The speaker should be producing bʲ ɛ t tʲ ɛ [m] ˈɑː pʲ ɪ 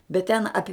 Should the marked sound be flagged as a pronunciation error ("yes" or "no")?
yes